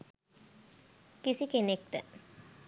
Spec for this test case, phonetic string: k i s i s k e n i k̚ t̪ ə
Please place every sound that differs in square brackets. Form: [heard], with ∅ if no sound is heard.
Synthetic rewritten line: k i s i [∅] k e n [e] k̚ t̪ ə